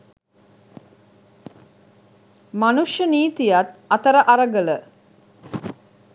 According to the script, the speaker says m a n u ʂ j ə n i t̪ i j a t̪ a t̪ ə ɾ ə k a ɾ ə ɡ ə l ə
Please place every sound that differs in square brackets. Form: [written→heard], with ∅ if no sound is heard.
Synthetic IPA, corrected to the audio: m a n u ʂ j ə n [i→iː] t̪ i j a t̪ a t̪ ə ɾ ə [k→ʔ] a ɾ ə ɡ ə l ə